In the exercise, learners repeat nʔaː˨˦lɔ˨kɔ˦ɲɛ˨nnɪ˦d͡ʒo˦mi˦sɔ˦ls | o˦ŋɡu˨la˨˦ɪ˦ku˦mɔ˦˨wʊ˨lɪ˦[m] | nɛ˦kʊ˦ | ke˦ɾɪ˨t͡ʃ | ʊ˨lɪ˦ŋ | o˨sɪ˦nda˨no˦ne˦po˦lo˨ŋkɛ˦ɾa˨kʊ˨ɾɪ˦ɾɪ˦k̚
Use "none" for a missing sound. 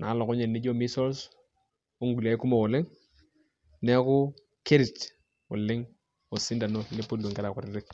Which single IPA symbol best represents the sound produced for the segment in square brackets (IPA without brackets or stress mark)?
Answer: ŋ